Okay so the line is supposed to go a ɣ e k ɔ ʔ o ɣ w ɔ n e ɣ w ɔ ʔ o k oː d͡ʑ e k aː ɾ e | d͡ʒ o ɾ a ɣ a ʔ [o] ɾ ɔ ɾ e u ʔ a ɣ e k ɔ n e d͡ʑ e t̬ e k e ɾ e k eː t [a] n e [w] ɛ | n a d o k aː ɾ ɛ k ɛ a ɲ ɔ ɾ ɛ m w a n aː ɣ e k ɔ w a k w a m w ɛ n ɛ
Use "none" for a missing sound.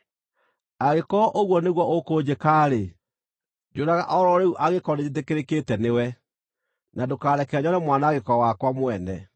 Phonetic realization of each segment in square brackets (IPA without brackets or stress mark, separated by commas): ɔ, ɛ, w